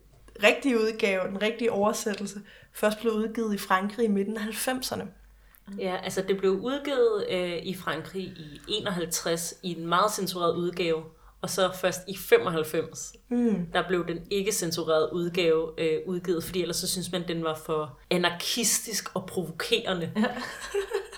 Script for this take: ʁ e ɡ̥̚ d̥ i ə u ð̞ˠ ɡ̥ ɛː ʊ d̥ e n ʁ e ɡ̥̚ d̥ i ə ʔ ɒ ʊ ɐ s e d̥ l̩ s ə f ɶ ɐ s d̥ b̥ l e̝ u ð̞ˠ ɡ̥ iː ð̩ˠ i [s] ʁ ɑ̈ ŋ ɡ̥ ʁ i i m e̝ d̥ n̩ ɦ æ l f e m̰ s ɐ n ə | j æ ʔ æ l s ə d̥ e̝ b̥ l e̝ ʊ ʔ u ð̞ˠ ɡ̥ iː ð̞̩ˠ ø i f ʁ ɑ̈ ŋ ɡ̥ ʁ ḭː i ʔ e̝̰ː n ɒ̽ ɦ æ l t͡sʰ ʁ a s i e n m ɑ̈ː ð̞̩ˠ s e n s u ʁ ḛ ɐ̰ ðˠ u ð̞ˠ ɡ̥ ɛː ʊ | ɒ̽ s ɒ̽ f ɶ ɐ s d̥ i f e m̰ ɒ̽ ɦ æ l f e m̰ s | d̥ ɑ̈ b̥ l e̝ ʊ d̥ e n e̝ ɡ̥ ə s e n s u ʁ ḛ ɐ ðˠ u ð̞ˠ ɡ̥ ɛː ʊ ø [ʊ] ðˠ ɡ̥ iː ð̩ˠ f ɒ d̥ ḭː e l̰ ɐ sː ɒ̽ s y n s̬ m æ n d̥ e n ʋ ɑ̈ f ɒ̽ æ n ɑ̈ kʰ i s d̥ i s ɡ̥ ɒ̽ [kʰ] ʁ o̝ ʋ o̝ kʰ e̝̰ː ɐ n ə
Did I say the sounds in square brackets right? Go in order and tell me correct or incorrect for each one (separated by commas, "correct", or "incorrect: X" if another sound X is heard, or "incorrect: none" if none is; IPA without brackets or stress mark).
incorrect: f, incorrect: u, incorrect: pʰ